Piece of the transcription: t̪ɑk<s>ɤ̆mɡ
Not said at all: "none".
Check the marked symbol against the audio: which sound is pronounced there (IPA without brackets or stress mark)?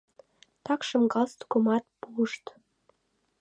ʃ